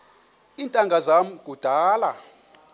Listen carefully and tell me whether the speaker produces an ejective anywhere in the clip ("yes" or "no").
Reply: yes